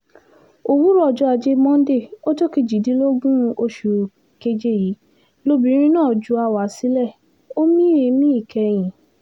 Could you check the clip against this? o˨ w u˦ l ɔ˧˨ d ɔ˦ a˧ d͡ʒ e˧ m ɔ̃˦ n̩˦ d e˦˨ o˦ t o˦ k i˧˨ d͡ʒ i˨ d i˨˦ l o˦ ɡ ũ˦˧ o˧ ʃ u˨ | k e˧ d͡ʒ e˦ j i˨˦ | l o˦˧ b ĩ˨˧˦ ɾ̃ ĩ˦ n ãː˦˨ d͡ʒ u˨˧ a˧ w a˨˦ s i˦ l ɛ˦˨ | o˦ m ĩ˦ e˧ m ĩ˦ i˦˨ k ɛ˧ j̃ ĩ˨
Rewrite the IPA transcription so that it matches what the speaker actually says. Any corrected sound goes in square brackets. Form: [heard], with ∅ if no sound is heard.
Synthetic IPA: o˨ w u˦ [ɾ] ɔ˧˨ [d͡ʒ] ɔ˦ a˧ d͡ʒ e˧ m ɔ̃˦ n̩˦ d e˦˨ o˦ t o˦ k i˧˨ d͡ʒ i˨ d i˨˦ l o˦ ɡ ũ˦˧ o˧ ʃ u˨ | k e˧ d͡ʒ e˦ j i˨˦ | l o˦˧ b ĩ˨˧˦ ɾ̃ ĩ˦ n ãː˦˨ d͡ʒ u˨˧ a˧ w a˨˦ s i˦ l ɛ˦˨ | o˦ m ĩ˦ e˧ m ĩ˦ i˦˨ k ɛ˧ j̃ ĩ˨